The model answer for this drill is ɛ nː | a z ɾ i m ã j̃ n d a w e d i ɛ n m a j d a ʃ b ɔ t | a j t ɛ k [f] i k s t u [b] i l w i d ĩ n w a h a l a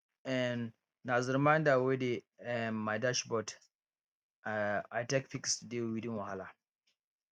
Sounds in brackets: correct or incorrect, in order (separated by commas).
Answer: correct, incorrect